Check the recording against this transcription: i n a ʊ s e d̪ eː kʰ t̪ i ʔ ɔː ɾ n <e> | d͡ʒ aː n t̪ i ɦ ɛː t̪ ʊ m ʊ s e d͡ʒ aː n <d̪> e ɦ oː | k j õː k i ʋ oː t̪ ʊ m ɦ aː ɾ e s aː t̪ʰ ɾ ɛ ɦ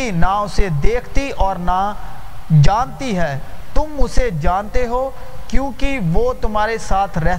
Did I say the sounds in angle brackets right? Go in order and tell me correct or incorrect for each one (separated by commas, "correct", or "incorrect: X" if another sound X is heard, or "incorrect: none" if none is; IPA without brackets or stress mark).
incorrect: a, incorrect: t̪